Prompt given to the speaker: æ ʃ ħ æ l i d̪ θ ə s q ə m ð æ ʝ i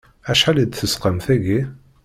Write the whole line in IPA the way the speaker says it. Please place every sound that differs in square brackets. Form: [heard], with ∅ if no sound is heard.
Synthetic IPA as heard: æ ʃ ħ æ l i d̪ θ ə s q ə m [θ] æ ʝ i